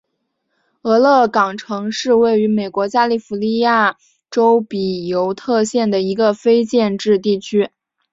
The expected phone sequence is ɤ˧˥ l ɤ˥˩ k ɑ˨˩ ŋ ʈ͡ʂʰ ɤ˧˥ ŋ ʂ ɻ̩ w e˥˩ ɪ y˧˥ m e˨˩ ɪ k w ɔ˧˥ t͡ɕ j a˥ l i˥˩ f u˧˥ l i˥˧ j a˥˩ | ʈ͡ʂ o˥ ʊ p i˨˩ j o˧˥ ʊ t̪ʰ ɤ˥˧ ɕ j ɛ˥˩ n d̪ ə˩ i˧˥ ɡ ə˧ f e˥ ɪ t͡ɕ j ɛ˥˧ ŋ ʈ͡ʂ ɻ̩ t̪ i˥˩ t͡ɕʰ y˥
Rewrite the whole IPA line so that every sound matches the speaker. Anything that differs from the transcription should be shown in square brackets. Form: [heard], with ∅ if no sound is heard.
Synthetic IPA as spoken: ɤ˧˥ l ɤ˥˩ k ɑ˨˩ ŋ ʈ͡ʂʰ ɤ˧˥ ŋ ʂ ɻ̩ w e˥˩ ɪ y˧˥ m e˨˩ ɪ k w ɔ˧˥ t͡ɕ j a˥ l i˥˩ f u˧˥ l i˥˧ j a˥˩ | ʈ͡ʂ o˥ ʊ p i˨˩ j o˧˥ ʊ t̪ʰ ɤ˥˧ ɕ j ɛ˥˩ n d̪ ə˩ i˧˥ ɡ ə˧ f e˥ ɪ t͡ɕ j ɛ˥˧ [n] ʈ͡ʂ ɻ̩ t̪ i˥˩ t͡ɕʰ y˥